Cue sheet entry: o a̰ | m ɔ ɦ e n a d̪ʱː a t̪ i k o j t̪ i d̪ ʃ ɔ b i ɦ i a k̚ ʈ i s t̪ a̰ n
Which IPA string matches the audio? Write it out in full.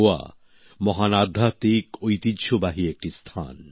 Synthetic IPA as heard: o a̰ | m ɔ ɦ a n a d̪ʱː a t̪ i k o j t̪ i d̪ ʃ o b a ɦ i e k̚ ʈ i s t̪ʰ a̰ n